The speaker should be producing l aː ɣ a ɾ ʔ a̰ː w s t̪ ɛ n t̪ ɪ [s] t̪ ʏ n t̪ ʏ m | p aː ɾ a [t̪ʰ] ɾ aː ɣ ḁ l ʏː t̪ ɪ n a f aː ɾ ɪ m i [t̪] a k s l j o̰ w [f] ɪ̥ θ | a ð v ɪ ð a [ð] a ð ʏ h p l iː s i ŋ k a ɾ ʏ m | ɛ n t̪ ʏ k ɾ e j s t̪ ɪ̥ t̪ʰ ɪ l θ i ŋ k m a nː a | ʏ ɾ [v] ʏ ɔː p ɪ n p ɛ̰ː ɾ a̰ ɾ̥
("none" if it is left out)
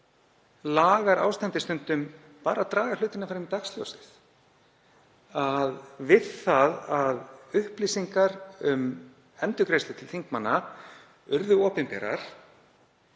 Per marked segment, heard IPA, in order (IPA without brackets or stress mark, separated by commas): s, t̪, t̪, s, ð, ð